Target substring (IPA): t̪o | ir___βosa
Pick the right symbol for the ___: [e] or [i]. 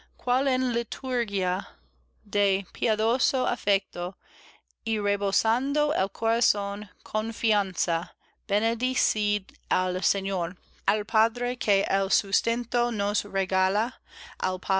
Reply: e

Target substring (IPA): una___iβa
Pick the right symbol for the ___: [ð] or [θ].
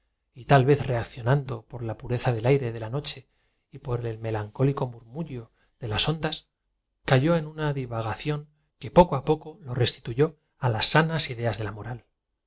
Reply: ð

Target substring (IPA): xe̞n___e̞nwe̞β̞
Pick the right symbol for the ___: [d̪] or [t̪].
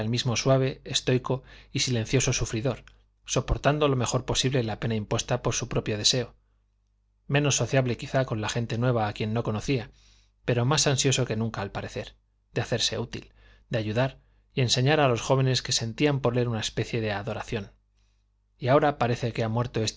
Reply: t̪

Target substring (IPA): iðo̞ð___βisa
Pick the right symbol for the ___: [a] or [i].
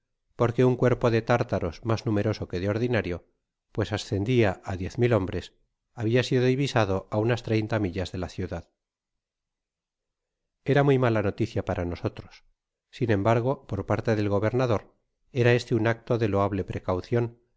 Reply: i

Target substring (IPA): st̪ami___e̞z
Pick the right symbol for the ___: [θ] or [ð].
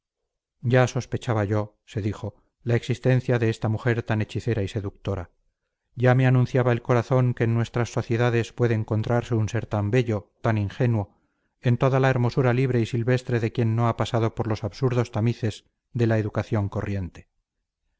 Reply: θ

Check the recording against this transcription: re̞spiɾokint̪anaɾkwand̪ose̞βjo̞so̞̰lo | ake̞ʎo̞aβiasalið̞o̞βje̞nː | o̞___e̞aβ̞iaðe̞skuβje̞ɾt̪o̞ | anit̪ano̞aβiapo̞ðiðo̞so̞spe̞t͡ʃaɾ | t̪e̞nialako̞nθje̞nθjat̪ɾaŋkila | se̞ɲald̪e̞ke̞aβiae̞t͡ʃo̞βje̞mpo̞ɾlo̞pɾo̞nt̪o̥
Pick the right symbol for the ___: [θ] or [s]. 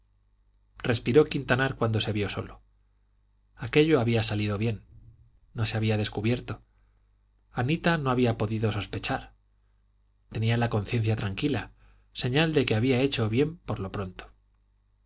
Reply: s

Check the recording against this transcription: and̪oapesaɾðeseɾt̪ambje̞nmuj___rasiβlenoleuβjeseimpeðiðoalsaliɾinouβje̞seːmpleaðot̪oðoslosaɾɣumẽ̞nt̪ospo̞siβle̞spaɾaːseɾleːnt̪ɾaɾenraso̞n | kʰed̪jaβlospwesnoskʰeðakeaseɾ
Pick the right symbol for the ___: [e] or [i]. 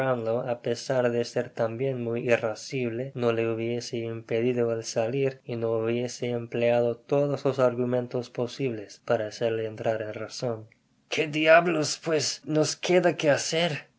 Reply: i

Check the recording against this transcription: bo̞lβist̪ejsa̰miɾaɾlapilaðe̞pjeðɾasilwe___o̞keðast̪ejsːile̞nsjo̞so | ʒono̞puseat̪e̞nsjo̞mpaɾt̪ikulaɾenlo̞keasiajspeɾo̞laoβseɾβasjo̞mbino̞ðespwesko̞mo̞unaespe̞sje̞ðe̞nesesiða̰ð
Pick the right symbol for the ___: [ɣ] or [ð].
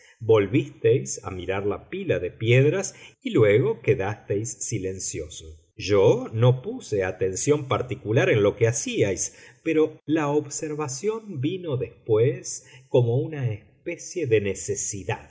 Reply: ɣ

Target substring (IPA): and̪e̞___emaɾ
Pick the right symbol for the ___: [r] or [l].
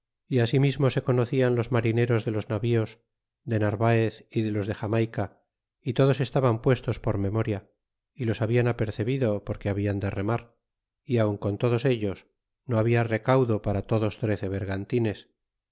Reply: r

